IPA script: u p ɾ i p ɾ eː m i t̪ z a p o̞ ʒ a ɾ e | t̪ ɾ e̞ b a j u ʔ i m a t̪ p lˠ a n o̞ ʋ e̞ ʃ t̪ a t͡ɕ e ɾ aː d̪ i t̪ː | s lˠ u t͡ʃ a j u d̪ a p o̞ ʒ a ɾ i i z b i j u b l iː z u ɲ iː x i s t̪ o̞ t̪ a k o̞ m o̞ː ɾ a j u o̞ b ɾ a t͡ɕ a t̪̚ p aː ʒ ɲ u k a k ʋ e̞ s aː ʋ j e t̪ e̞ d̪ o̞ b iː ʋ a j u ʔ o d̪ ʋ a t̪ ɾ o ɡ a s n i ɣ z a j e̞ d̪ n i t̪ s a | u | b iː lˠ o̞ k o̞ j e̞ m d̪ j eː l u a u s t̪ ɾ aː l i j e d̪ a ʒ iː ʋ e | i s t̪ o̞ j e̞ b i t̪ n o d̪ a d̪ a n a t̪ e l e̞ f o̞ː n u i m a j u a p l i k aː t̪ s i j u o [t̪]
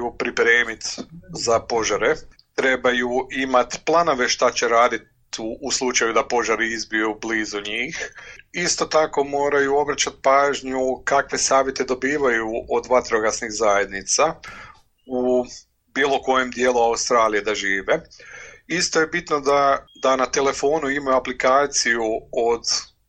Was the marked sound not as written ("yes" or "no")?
yes